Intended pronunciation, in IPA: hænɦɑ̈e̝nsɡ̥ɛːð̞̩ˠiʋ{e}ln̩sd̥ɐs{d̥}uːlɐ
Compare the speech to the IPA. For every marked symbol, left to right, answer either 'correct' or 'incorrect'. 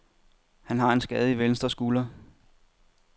correct, incorrect

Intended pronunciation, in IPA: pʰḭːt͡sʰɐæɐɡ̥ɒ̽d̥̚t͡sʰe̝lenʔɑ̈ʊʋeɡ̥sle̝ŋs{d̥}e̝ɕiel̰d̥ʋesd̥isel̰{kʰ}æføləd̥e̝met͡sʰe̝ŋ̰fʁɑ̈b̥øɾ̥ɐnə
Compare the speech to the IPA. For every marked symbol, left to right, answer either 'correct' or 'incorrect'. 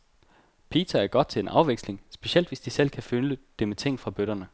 incorrect, correct

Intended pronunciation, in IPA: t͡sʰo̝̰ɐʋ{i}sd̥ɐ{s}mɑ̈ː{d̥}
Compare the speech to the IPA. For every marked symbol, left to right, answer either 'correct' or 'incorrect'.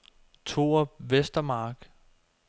incorrect, incorrect, incorrect

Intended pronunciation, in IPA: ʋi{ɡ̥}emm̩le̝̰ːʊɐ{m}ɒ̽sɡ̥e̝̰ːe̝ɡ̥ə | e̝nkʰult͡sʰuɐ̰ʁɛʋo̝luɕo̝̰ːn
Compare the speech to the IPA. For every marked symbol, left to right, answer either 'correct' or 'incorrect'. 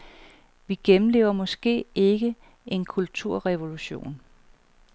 correct, correct

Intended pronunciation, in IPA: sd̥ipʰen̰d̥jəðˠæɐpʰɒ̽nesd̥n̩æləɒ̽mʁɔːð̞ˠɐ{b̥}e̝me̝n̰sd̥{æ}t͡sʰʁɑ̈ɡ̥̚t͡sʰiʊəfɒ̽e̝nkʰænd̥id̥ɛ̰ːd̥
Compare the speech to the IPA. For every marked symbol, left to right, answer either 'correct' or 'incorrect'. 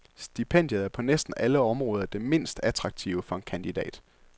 incorrect, correct

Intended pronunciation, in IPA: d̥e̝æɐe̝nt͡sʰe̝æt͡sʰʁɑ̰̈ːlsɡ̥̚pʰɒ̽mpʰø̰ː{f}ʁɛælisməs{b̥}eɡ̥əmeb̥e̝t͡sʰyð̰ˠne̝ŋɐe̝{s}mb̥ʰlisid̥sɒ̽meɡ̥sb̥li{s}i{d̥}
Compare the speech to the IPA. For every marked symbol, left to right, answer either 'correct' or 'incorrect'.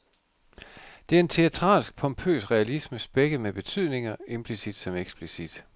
incorrect, correct, incorrect, correct, correct

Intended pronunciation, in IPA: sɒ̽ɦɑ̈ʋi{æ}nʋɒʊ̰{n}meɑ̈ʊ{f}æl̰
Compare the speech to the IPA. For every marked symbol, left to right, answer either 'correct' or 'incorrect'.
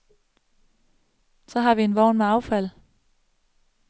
incorrect, correct, correct

